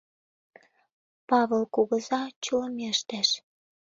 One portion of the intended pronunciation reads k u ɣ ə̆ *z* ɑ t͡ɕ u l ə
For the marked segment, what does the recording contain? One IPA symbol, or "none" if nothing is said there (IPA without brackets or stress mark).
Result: z